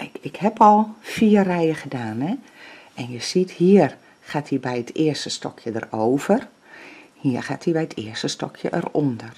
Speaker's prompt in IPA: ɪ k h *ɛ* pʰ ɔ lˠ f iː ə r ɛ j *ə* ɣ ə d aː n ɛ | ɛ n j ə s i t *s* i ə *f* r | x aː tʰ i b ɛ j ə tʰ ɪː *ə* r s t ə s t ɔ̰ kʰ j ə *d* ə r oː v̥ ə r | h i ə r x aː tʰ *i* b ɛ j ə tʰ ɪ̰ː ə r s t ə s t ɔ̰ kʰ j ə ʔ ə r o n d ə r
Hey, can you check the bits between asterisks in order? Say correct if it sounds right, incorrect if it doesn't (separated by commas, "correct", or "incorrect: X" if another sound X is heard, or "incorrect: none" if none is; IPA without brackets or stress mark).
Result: correct, correct, incorrect: h, incorrect: none, correct, correct, correct